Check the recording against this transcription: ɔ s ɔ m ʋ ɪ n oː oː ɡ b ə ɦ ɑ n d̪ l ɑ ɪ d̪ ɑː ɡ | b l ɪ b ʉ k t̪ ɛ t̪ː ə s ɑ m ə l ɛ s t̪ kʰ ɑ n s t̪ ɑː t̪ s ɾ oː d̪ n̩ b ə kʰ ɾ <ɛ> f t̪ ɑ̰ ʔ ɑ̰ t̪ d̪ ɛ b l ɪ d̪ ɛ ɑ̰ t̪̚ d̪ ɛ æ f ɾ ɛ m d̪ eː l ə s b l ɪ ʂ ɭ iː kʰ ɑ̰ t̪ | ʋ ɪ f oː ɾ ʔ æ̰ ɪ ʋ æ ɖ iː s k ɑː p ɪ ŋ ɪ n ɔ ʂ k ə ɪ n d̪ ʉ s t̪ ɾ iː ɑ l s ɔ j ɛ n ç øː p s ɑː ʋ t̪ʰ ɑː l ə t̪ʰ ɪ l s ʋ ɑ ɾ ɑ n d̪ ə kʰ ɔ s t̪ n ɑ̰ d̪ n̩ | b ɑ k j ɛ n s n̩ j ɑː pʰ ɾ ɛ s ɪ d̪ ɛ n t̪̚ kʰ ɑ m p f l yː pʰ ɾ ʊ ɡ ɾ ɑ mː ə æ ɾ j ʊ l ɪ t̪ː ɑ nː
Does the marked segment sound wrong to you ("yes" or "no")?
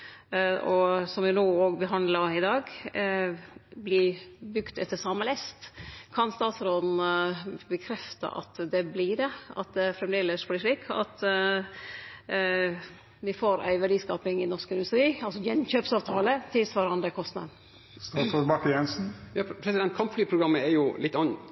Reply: no